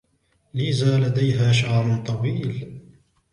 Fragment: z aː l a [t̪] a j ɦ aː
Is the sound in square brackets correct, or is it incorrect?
incorrect: d̪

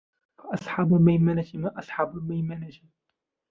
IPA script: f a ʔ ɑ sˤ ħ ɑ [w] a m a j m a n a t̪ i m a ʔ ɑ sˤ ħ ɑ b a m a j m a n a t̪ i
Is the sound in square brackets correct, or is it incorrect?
incorrect: b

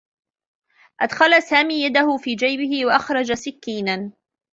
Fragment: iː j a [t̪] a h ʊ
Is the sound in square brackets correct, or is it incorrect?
incorrect: d̪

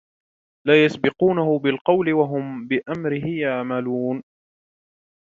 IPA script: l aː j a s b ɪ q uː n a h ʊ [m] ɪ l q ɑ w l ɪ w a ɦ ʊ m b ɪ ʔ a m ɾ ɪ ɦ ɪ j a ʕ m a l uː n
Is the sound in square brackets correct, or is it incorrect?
incorrect: b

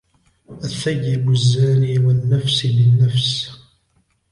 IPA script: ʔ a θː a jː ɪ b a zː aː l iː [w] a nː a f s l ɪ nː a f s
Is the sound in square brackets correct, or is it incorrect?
correct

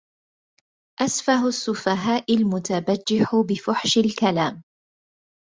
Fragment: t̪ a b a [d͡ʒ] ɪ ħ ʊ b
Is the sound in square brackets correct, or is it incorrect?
incorrect: d͡ʒː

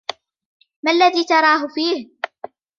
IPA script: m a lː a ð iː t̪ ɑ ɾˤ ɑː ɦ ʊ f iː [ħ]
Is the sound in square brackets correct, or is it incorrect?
incorrect: h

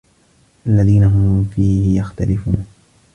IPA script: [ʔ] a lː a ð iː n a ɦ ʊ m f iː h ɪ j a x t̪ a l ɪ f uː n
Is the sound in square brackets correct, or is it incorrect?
correct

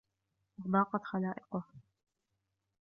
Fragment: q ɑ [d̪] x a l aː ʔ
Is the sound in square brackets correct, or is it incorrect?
incorrect: t̪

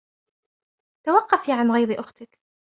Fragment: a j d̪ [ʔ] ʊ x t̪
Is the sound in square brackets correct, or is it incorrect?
correct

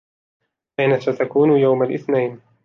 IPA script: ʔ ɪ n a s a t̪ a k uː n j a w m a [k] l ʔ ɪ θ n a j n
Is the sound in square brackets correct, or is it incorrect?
incorrect: none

